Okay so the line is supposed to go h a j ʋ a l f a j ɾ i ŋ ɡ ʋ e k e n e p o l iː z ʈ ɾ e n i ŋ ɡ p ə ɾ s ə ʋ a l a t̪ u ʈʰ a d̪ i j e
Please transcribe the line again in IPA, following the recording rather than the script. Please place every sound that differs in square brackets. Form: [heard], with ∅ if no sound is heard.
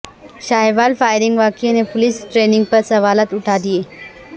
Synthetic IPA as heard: [ɕ] a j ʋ a l f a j ɾ i ŋ ɡ ʋ [a] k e n e p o l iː [s] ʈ ɾ e n i ŋ ɡ p ə ɾ s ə ʋ a l a t̪ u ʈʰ a d̪ i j e